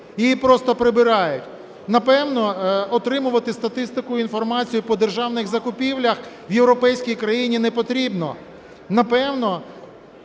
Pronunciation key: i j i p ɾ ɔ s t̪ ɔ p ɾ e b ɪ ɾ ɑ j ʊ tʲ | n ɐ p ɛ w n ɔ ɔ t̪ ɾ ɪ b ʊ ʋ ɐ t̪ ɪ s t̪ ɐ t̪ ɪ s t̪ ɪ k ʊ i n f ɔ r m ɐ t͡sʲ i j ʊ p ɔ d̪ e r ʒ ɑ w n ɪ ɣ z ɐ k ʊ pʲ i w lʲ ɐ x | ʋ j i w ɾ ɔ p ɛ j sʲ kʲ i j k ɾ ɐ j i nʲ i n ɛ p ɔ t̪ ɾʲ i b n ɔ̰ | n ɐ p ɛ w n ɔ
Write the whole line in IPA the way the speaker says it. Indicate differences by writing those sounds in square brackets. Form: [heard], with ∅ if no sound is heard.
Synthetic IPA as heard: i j i p ɾ ɔ s t̪ ɔ p ɾ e b ɪ ɾ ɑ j ʊ tʲ | n ɐ p ɛ w n ɔ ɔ t̪ ɾ ɪ [m] ʊ ʋ ɐ t̪ ɪ s t̪ ɐ t̪ ɪ s t̪ ɪ k ʊ i n f ɔ r m [ɑ] t͡sʲ i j ʊ p ɔ d̪ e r ʒ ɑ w n ɪ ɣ z ɐ k ʊ pʲ i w lʲ ɐ x | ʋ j [e] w ɾ ɔ p ɛ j sʲ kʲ i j k ɾ ɐ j i nʲ i n ɛ p ɔ t̪ ɾʲ i b n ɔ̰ | n ɐ p ɛ w n ɔ